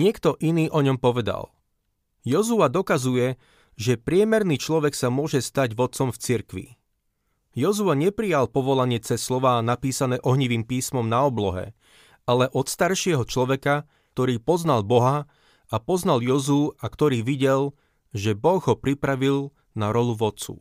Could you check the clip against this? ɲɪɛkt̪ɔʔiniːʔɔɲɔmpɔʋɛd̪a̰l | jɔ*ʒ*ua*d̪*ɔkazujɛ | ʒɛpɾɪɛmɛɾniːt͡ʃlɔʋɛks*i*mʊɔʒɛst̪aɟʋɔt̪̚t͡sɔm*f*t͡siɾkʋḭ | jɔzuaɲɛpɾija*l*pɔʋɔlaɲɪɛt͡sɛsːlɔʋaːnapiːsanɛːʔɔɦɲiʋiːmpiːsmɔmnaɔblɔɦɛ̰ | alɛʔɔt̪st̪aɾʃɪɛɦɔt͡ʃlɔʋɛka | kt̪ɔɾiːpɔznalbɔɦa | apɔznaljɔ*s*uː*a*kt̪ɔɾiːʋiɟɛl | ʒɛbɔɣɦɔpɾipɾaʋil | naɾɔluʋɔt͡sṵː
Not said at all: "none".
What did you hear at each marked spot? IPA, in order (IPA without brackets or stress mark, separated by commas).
z, d̪, a, f, l, z, a